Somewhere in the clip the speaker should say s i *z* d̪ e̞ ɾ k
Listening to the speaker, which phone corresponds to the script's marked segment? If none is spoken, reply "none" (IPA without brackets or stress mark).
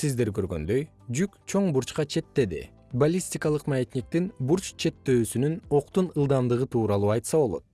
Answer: z